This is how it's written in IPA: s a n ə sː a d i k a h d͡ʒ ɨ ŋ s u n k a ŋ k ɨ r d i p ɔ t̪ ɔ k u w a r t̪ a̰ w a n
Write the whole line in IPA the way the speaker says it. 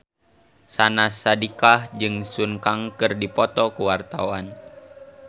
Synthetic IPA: s a n a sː a d i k a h d͡ʒ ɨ ŋ s u n k a ŋ k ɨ r d i p ɔ t̪ ɔ k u w a r t̪ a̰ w a n